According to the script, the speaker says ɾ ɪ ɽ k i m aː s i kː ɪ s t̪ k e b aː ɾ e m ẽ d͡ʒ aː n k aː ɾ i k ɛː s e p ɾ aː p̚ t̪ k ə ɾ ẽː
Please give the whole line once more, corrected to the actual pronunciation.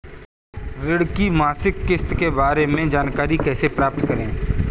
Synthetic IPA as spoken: ɾ ɪ ɽ k i m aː s ɪ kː ɪ s t̪ k e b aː ɾ e m ẽ d͡ʒ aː n k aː ɾ i k ɛː s e p ɾ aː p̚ t̪ k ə ɾ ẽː

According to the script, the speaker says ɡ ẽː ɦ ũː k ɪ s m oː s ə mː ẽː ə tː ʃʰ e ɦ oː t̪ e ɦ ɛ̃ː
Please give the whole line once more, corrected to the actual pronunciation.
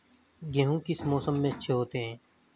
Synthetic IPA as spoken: ɡ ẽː ɦ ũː k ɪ s m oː s ə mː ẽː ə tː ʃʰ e ɦ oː t̪ e ɦ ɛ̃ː

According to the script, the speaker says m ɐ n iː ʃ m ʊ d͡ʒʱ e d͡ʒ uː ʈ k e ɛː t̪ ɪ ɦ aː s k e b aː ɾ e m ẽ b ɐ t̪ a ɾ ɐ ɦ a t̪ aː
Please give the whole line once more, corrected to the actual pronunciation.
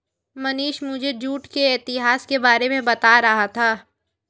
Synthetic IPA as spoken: m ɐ n iː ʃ m ʊ d͡ʒʱ e d͡ʒ uː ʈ k e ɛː t̪ ɪ ɦ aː s k e b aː ɾ e m ẽ b ɐ t̪ a ɾ ɐ ɦ a t̪ʰ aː

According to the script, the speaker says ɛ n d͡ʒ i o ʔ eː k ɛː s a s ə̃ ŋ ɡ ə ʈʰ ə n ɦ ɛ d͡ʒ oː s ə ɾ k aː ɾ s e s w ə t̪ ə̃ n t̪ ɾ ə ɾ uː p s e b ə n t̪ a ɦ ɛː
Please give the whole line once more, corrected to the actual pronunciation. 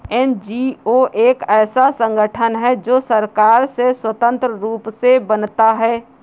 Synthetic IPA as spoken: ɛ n d͡ʒ i o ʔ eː k ɛː s a s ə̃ ŋ ɡ ə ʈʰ ə n ɦ ɛ d͡ʒ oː s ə ɾ k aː ɾ s e s w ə t̪ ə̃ n t̪ ɾ ə ɾ uː p s e b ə n t̪ a ɦ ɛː

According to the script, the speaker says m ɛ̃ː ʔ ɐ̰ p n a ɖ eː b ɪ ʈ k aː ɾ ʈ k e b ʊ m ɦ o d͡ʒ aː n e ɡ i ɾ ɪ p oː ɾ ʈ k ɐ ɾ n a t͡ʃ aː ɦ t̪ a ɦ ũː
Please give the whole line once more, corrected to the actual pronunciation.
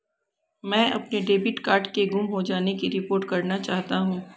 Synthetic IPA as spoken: m ɛ̃ː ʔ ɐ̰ p n e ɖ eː b ɪ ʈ k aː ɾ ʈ k e ɡ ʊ m ɦ o d͡ʒ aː n e k i ɾ ɪ p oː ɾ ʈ k ɐ ɾ n a t͡ʃ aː ɦ t̪ a ɦ ũː

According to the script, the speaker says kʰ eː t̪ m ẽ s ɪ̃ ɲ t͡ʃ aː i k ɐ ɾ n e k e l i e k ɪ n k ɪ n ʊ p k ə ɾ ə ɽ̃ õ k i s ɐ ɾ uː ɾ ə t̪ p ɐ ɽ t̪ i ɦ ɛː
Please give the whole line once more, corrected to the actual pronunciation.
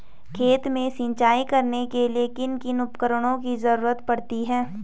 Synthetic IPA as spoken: kʰ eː t̪ m ẽ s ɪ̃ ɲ t͡ʃ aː i k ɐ ɾ n e k e l i e k ɪ n k ɪ n ʊ p k ə ɾ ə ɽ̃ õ k i z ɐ ɾ uː ɾ ə t̪ p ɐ ɽ t̪ i ɦ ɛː

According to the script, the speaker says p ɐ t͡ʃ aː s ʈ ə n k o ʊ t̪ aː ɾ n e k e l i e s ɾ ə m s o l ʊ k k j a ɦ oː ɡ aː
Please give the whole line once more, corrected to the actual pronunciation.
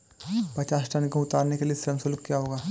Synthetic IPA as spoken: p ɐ t͡ʃ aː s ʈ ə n k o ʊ t̪ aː ɾ n e k e l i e s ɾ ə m s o l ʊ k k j a ɦ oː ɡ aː

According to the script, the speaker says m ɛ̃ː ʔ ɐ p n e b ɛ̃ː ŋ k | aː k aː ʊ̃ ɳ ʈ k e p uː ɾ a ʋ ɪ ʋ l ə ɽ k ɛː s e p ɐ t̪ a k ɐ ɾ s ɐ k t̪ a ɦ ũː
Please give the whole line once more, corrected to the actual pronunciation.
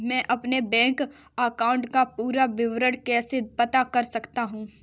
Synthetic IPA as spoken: m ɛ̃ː ʔ ɐ p n e b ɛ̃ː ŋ k | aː k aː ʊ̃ ɳ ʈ k a p uː ɾ a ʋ ɪ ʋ ɾ ə ɽ k ɛː s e p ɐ t̪ a k ɐ ɾ s ɐ k t̪ a ɦ ũː

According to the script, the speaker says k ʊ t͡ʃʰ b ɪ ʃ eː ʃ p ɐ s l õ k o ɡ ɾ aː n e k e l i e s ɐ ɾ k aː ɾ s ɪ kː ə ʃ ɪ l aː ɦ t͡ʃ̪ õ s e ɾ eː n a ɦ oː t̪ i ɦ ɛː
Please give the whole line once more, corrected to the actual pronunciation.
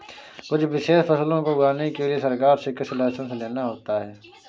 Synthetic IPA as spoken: k ʊ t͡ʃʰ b ɪ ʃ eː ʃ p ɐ s l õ k o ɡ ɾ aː n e k e l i e s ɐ ɾ k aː ɾ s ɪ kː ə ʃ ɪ l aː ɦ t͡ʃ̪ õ s e l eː n a ɦ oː t̪ a ɦ ɛː

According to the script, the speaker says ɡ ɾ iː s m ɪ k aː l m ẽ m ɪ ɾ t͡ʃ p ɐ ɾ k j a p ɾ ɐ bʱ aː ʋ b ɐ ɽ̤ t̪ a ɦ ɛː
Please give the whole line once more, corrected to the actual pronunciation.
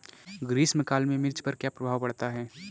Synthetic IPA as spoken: ɡ ɾ iː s m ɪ k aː l m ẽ m ɪ ɾ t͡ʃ p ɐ ɾ k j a p ɾ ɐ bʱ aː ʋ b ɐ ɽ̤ t̪ a ɦ ɛː

